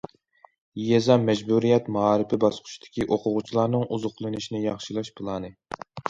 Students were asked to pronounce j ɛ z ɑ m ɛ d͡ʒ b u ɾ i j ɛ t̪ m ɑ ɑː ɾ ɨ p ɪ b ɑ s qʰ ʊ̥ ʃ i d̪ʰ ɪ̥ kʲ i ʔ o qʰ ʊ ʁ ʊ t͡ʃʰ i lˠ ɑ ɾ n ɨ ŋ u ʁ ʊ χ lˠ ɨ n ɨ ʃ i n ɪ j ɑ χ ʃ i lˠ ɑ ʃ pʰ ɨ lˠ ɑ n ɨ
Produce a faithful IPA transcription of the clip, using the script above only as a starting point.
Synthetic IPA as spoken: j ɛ z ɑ m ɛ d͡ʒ b u ɾ i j ɛ t̪ m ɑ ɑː ɾ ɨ p ɪ b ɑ s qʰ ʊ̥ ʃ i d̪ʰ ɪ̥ kʲ i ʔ o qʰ ʊ ʁ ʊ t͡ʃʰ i lˠ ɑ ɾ n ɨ ŋ u z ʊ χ lˠ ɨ n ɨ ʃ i n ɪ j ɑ χ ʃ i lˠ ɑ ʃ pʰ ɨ lˠ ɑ n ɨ